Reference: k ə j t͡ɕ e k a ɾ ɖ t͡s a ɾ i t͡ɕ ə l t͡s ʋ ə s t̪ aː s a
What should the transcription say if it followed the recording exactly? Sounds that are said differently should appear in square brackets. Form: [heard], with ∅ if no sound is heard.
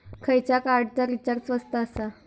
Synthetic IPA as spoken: [kʰ] ə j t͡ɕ [a] k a ɾ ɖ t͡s a ɾ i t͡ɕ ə [ɾ] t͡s ʋ ə s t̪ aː s a